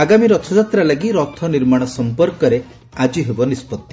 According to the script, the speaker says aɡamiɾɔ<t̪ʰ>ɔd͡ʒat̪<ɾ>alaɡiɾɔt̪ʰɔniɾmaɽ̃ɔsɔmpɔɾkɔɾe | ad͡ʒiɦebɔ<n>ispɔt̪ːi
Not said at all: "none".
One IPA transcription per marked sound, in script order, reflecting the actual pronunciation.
t̪ʰ, ɾ, n

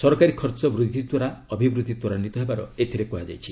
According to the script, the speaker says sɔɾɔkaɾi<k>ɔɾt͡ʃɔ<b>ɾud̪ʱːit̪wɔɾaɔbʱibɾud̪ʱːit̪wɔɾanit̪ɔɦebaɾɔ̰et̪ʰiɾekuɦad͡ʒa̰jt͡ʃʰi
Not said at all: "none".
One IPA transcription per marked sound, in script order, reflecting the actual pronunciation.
kʰ, b

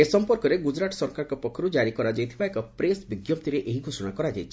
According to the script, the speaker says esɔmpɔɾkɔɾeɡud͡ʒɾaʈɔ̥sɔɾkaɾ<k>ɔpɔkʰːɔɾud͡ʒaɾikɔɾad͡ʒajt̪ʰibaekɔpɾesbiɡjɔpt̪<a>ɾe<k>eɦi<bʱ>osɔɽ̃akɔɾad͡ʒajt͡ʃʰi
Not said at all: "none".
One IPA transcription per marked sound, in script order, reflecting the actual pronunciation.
k, i, ʔ, ɡʱ

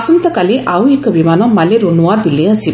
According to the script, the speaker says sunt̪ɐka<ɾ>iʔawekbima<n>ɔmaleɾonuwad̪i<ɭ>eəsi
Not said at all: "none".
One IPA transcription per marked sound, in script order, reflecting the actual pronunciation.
l, n, l

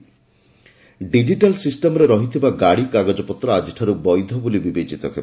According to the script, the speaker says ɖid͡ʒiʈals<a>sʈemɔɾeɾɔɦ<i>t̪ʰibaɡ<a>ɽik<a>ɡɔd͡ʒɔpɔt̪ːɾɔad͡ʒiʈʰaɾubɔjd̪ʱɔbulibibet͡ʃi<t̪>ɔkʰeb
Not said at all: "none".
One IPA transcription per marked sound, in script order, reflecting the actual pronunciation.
i, i, a, a, t̪

